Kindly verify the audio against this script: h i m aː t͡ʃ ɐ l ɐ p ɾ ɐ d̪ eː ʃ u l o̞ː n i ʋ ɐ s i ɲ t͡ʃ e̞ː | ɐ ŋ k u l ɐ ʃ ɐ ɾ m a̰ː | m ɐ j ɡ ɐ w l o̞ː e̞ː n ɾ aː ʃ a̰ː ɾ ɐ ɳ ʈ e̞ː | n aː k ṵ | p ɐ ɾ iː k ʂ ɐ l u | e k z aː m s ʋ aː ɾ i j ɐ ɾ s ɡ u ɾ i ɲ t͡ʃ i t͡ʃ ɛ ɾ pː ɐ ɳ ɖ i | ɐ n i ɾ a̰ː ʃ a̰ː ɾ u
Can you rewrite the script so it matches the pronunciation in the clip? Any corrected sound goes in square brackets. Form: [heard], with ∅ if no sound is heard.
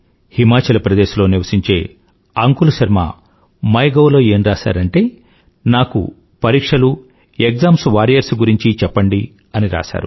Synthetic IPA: h i m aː t͡ʃ ɐ l ɐ p ɾ ɐ d̪ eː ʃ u l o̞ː n i ʋ ɐ s i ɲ t͡ʃ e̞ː | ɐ ŋ k u l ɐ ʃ ɐ ɾ m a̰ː | m ɐ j ɡ ɐ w l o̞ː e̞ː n ɾ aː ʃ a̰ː ɾ ɐ ɳ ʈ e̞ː | n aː k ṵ | p ɐ ɾ iː k ʂ ɐ l u | e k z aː m s ʋ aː ɾ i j ɐ ɾ s ɡ u ɾ i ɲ t͡ʃ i t͡ʃ ɛ [∅] pː ɐ ɳ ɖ i | ɐ n i ɾ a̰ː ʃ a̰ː ɾ u